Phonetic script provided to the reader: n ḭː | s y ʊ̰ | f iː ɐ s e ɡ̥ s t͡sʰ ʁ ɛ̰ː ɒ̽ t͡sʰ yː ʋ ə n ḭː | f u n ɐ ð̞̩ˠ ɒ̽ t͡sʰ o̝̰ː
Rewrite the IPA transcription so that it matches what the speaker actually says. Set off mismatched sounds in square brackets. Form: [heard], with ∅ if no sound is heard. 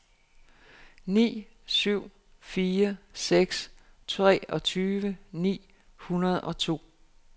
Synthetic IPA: n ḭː | s y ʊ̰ | f iː ɐ s e ɡ̥ s t͡sʰ ʁ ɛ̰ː ɒ̽ t͡sʰ yː ʋ ə n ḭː | [h] u n ɐ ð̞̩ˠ ɒ̽ t͡sʰ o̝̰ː